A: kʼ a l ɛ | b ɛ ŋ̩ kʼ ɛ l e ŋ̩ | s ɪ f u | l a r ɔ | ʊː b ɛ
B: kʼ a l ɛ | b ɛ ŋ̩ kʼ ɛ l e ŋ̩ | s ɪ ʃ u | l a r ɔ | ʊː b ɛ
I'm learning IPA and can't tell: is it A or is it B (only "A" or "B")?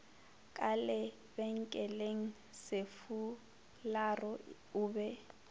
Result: A